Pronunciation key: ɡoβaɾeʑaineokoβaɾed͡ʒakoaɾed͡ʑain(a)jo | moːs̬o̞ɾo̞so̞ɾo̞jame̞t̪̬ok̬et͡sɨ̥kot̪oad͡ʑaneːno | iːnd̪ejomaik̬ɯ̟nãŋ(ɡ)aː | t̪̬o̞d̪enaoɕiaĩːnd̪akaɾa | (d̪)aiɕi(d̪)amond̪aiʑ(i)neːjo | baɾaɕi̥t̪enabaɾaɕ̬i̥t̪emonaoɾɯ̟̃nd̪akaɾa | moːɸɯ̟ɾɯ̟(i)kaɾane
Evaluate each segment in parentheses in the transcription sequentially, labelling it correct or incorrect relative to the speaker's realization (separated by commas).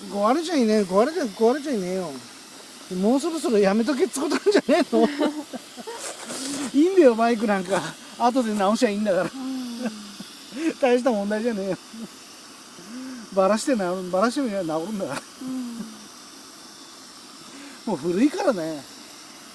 incorrect, incorrect, incorrect, incorrect, incorrect, correct